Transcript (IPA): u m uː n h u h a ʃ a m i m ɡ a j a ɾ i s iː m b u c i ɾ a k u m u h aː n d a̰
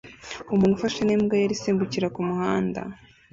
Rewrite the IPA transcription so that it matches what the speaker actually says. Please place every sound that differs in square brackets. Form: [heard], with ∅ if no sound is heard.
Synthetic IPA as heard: u m uː n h u [f] a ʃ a [n] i m ɡ a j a ɾ i s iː m b u c i ɾ a k u m u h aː n d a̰